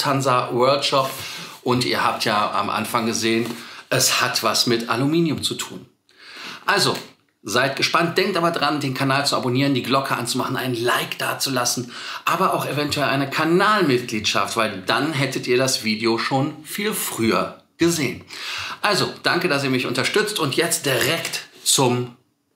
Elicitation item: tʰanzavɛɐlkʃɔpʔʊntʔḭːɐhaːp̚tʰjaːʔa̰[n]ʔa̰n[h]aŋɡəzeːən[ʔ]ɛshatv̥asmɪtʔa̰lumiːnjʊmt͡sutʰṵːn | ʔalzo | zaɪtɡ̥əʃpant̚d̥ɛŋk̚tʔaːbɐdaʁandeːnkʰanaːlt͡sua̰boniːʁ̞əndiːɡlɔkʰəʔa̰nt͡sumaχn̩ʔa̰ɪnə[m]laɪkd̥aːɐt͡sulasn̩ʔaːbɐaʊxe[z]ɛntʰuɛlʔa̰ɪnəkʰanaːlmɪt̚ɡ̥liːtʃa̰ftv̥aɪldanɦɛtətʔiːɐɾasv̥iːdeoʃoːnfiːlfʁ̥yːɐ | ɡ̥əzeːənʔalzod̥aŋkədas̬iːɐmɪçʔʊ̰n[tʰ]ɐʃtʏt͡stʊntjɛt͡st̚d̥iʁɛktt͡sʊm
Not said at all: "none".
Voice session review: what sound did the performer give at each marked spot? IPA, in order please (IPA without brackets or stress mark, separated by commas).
m, f, ʔ, n, v, t